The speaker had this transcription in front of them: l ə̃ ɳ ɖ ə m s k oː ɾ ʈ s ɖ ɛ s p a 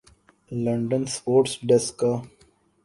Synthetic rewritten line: l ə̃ ɳ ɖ ə n s p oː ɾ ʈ s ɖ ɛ s k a